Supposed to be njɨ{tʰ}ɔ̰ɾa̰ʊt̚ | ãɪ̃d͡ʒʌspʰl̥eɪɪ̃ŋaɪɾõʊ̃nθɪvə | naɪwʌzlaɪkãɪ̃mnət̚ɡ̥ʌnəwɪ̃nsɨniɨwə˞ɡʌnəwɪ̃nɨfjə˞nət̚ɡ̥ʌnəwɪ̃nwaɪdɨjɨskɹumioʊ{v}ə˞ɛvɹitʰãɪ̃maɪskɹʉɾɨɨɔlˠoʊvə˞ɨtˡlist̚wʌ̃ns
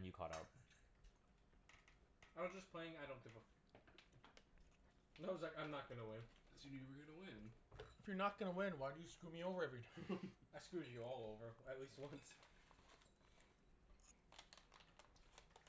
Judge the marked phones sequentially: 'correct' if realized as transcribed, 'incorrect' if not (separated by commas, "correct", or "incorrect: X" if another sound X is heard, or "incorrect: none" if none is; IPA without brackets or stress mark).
incorrect: kʰ, correct